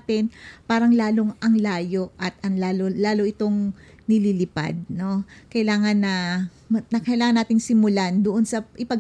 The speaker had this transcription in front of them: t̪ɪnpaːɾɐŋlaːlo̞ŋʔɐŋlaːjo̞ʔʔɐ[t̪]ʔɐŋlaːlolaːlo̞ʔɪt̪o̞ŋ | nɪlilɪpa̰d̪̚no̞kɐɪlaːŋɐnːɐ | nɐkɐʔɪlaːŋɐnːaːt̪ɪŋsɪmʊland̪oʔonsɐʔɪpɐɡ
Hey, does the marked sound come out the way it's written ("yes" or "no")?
yes